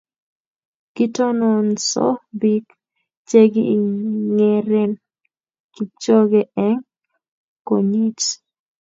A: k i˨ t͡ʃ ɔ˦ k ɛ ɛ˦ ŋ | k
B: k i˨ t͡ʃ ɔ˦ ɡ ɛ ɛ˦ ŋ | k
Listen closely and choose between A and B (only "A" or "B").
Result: B